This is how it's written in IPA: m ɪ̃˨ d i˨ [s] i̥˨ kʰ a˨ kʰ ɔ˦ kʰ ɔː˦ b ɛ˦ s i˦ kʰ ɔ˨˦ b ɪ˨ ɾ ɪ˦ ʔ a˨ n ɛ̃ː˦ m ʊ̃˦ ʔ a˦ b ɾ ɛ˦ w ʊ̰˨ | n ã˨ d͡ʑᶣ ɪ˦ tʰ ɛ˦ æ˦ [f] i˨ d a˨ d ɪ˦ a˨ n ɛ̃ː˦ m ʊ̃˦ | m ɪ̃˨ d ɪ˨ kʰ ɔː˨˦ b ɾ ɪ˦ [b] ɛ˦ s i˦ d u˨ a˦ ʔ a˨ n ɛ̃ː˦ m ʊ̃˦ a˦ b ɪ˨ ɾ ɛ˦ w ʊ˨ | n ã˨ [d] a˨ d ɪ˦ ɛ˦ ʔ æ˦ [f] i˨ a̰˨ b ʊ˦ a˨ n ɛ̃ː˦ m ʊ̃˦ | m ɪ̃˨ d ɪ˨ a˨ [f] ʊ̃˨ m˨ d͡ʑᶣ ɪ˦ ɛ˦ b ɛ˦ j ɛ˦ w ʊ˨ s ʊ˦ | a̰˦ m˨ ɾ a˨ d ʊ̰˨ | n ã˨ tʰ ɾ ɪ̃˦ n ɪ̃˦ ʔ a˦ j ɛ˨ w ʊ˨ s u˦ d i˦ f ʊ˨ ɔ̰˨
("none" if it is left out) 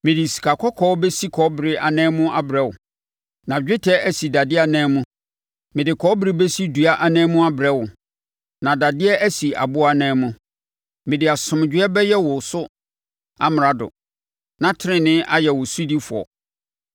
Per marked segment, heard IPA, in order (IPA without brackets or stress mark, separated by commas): s, s, b, d, s, s